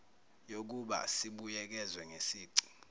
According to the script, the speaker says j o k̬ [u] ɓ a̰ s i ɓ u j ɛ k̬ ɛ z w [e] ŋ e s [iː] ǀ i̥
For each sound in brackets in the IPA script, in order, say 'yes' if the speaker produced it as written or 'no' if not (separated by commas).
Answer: yes, no, yes